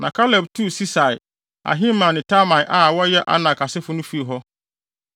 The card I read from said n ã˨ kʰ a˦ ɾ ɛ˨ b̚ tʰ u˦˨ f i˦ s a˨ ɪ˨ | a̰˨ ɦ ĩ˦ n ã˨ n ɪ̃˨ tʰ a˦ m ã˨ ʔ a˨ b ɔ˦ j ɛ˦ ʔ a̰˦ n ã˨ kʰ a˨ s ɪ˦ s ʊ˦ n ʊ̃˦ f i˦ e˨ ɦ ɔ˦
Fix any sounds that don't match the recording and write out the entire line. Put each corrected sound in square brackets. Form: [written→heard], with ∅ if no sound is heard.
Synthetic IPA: n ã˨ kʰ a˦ [ɾ→l] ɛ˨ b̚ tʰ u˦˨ [f→s] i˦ s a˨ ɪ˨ | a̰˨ ɦ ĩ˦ [n→m] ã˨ n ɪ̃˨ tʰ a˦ m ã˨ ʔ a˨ [b→w] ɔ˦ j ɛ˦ ʔ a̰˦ n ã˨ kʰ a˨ s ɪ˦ [s→f] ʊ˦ n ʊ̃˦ f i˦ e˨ ɦ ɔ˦

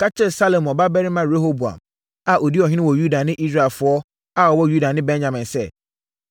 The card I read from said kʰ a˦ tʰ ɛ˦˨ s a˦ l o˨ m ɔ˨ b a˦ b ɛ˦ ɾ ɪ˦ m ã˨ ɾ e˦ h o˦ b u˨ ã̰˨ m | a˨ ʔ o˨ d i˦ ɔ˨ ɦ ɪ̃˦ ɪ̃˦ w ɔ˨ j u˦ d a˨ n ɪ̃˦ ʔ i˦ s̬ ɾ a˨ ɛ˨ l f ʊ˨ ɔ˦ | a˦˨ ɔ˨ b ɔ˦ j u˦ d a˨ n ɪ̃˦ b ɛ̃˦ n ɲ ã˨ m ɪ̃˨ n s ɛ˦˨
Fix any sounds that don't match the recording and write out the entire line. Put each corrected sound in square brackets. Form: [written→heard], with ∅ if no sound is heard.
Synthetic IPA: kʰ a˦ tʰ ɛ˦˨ s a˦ l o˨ m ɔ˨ b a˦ b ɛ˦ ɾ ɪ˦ m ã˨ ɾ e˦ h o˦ b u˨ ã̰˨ m | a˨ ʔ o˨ d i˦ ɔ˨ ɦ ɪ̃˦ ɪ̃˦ w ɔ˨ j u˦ d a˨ n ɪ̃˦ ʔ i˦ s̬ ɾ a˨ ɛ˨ l f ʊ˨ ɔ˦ | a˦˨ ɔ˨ [b→w] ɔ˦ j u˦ d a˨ n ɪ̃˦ b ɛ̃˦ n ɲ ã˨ m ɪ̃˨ n s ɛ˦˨

